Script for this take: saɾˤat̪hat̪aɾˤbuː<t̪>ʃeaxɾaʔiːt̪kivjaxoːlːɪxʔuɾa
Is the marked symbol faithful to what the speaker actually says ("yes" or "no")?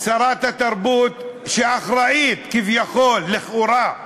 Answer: yes